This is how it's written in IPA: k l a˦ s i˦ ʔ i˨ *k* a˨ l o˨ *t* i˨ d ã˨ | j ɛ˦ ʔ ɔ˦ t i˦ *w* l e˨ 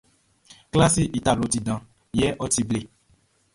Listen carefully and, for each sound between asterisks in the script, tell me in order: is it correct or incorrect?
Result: incorrect: t, correct, incorrect: b

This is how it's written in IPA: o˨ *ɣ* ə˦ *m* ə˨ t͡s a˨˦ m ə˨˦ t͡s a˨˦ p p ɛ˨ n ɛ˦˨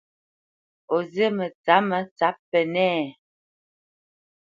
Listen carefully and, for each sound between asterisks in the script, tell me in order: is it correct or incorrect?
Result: incorrect: z, correct

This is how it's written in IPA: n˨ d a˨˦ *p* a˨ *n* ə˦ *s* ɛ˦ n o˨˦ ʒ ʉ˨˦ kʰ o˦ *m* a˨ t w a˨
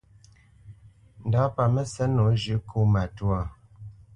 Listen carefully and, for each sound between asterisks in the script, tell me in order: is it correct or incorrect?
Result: correct, incorrect: m, correct, correct

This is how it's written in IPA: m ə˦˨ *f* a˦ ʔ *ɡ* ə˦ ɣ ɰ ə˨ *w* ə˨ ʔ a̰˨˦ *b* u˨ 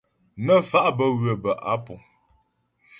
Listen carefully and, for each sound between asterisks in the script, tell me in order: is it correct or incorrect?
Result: correct, incorrect: b, incorrect: b, incorrect: p

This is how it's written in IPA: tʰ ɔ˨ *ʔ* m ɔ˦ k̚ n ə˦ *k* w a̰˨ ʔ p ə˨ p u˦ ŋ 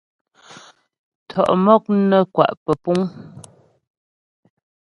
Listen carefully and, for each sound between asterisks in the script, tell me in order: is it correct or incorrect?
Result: correct, correct

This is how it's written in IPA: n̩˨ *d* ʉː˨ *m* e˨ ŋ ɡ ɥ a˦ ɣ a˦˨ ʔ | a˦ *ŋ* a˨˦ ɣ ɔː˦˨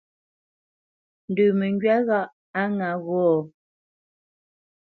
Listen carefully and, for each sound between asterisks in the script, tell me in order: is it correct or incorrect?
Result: correct, correct, correct

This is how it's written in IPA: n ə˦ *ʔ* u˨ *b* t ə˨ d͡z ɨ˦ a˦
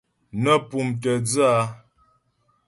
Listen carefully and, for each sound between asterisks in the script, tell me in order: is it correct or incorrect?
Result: incorrect: p, incorrect: m

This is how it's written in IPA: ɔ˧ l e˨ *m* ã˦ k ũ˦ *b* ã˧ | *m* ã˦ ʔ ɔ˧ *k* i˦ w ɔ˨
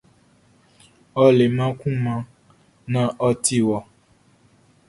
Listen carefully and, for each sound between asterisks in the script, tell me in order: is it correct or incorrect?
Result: correct, incorrect: m, incorrect: n, incorrect: t

